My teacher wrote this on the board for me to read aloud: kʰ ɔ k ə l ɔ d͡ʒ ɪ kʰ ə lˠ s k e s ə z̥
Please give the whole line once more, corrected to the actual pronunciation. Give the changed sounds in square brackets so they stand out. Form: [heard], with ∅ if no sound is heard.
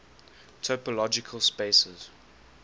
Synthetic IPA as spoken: [tʰ] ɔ [p] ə l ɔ d͡ʒ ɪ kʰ ə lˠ s [p] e s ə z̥